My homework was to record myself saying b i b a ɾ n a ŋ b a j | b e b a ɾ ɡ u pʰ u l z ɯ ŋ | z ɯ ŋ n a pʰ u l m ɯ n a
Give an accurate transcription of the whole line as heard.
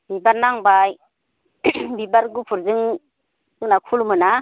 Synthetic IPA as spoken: b i b a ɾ n a ŋ b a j | b i b a ɾ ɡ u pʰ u ɾ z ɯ ŋ | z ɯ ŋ n a kʰ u l m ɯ n a